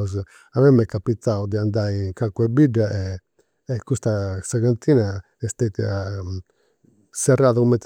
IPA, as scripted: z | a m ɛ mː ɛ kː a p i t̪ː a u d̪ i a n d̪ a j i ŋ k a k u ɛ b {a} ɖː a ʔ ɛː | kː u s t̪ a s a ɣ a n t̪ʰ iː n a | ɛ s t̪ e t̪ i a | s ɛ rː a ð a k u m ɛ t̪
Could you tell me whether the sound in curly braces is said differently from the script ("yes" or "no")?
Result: yes